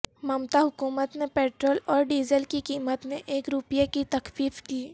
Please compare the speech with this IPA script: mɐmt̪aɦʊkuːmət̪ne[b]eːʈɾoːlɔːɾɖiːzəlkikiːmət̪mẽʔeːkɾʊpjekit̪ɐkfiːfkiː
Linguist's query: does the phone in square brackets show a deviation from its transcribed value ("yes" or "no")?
yes